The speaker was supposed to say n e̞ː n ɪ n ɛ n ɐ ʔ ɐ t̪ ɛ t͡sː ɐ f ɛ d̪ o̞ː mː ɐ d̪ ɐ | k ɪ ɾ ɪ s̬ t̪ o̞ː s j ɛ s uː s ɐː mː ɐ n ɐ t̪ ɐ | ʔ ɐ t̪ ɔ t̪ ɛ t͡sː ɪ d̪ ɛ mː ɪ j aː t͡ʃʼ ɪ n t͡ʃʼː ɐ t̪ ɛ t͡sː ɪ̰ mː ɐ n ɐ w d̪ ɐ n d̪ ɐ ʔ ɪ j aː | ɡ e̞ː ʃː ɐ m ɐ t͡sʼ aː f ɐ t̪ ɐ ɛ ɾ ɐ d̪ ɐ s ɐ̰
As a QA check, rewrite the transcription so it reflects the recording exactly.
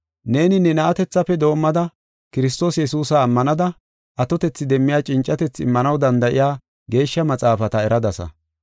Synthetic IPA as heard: n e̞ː n ɪ n ɛ n ɐ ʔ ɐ t̪ ɛ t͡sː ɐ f ɛ d̪ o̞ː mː ɐ d̪ ɐ | k ɪ ɾ ɪ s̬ t̪ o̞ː s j ɛ s uː s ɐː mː ɐ n ɐ d̪ ɐ | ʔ ɐ t̪ ɔ t̪ ɛ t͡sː ɪ d̪ ɛ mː ɪ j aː t͡ʃʼ ɪ n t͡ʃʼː ɐ t̪ ɛ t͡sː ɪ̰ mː ɐ n ɐ w d̪ ɐ n d̪ ɐ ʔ ɪ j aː | ɡ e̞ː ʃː ɐ m ɐ t͡sʼ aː f ɐ t̪ ɐ ɛ ɾ ɐ d̪ ɐ s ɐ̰